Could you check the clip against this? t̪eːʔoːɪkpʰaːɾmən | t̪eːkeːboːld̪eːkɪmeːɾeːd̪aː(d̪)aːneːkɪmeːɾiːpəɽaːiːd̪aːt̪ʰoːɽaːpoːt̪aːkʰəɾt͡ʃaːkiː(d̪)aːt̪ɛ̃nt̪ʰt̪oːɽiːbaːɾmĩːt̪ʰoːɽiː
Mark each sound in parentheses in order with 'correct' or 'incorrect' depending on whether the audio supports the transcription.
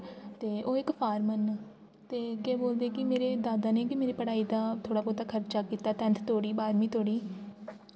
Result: correct, incorrect

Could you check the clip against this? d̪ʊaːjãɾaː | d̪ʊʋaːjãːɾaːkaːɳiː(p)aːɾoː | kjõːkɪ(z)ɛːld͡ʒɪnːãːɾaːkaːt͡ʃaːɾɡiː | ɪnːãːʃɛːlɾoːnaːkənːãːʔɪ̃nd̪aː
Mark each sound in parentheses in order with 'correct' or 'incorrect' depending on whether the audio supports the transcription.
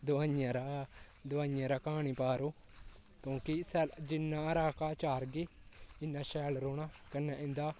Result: correct, incorrect

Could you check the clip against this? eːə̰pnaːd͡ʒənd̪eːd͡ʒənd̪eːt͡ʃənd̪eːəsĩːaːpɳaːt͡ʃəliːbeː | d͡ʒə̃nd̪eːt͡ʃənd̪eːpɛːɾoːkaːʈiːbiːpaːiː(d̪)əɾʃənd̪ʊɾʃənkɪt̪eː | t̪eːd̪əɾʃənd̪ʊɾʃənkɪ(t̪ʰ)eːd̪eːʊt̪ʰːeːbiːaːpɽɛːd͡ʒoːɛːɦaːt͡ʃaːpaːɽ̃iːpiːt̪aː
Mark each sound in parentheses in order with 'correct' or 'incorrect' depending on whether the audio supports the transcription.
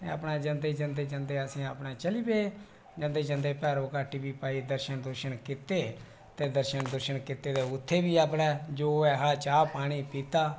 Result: correct, incorrect

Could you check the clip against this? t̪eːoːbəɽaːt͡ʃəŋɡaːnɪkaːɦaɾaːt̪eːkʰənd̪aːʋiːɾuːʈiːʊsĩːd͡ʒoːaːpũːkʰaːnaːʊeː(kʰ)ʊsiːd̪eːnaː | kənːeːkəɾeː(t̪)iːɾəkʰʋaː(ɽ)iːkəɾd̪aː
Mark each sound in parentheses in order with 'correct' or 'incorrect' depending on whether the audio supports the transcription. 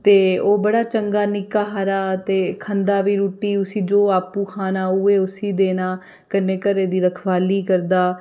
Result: incorrect, incorrect, incorrect

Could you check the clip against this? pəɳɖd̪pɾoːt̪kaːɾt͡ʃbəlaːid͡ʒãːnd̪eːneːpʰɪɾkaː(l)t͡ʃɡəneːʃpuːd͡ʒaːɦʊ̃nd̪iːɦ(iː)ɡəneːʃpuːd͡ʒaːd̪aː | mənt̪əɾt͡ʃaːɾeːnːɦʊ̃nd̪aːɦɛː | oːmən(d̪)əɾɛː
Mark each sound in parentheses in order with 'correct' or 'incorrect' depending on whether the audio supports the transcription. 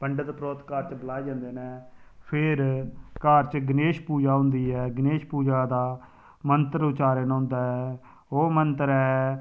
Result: incorrect, incorrect, incorrect

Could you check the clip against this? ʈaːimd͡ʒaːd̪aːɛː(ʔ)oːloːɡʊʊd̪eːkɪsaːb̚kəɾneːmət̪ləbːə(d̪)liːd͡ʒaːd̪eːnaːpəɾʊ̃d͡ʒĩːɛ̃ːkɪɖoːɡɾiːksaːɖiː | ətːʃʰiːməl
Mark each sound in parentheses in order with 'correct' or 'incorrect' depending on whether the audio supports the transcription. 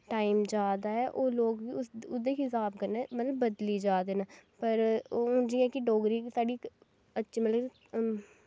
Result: correct, correct

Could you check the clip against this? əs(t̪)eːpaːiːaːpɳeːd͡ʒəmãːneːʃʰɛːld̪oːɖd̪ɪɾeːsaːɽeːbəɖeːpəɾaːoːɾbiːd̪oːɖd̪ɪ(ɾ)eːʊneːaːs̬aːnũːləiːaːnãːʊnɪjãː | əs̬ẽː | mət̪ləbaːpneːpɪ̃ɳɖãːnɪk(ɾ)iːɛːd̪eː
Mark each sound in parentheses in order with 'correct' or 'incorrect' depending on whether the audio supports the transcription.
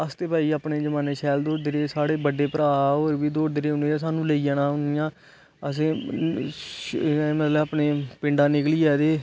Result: correct, correct, incorrect

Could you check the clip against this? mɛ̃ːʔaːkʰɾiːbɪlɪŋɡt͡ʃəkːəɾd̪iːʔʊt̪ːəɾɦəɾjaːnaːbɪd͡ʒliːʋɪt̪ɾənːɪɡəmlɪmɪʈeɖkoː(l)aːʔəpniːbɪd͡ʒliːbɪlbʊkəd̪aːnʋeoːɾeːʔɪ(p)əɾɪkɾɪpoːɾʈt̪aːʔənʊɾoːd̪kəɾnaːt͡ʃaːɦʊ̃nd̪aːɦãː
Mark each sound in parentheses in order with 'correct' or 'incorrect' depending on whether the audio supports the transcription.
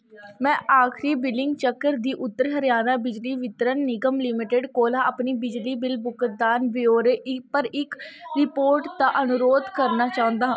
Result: correct, correct

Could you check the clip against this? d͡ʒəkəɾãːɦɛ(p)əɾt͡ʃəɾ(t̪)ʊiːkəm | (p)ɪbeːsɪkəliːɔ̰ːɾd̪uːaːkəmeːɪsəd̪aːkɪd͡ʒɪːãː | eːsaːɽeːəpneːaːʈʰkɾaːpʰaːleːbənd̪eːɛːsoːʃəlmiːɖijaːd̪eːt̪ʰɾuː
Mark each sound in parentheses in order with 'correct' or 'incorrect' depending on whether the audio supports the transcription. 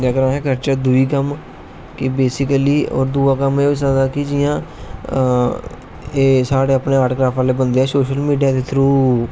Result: incorrect, incorrect, incorrect

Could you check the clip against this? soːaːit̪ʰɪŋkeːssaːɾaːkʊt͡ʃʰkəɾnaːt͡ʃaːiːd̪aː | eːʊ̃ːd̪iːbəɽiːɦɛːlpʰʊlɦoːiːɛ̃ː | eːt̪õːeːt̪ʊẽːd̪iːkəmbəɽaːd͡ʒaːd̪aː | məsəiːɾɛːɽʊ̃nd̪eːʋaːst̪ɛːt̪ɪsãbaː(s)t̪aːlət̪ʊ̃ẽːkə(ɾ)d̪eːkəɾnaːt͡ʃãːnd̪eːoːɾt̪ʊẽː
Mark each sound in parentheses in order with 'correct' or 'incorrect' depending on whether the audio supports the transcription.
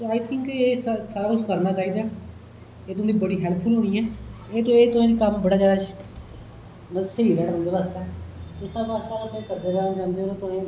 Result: correct, correct

